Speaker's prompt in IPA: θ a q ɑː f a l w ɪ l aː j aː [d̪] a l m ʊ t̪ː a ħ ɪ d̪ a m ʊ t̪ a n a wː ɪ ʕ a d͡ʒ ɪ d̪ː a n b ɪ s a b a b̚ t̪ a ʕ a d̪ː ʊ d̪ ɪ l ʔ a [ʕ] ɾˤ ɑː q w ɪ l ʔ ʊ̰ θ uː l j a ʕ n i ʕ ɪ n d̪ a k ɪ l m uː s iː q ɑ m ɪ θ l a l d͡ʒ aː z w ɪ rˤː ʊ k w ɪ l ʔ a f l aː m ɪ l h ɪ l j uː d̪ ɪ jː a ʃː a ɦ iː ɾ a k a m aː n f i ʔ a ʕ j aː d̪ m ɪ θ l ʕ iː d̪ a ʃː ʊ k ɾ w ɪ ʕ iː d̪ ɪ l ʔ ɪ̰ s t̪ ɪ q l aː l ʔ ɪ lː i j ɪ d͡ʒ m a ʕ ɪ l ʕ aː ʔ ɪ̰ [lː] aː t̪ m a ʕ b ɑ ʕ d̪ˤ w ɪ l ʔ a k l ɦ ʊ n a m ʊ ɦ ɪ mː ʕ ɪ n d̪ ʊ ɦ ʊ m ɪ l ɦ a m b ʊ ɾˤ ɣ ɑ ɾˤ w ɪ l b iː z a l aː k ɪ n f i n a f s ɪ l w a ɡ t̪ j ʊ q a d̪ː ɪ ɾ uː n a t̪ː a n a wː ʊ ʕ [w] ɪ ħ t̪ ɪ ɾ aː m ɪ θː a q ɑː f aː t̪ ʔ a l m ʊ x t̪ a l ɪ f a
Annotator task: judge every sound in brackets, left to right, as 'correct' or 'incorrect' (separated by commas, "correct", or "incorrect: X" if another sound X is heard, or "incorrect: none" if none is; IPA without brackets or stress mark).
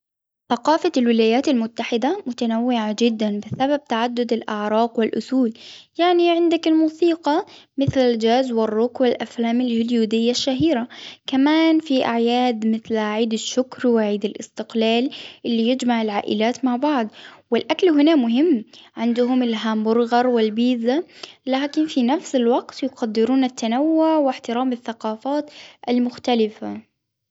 incorrect: t̪, correct, incorrect: l, correct